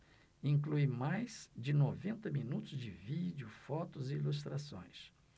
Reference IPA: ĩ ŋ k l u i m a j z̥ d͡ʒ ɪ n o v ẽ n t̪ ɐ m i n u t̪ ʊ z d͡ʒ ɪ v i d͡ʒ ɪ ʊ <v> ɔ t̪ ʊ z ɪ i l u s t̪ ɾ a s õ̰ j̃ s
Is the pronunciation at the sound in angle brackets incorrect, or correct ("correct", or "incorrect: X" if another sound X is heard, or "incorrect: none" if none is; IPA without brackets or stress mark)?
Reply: incorrect: f